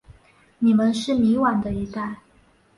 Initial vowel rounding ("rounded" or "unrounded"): unrounded